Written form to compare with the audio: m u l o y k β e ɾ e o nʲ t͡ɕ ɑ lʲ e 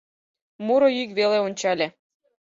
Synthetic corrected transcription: m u ɾ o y k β e l e o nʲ t͡ɕ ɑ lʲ e